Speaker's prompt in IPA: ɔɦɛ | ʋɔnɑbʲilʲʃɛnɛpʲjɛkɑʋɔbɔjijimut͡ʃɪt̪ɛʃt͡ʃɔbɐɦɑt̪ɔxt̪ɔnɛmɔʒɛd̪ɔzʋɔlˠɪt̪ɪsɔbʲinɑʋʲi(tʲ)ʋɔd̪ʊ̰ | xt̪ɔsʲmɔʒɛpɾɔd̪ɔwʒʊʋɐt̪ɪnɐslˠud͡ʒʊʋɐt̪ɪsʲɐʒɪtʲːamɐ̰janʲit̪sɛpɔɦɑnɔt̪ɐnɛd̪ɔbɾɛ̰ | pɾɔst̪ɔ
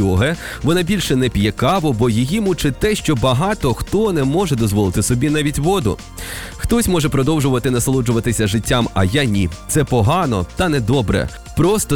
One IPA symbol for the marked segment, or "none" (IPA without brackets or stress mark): tʲ